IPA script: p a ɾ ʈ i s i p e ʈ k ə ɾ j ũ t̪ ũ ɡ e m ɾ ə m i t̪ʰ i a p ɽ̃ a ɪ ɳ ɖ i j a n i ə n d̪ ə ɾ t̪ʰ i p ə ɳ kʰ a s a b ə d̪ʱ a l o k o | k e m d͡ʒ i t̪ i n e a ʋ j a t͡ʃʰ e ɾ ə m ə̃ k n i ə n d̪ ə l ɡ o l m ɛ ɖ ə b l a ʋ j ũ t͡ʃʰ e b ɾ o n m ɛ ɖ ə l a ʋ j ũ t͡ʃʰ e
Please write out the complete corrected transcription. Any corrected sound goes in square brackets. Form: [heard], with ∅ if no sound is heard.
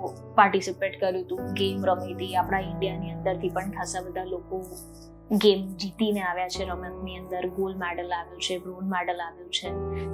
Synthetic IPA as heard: p a ɾ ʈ i s i p e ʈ k ə ɾ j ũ t̪ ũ ɡ e m ɾ ə m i [t̪] i a p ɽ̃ a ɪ ɳ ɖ i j a n i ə n d̪ ə ɾ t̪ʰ i p ə ɳ kʰ a s a b ə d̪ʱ a l o k o | [ɡ] e m d͡ʒ i t̪ i n e a ʋ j a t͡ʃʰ e ɾ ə m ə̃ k n i ə n d̪ ə [ɾ] ɡ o l m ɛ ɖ ə [∅] l a ʋ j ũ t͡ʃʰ e b ɾ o n m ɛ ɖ ə l a ʋ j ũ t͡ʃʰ e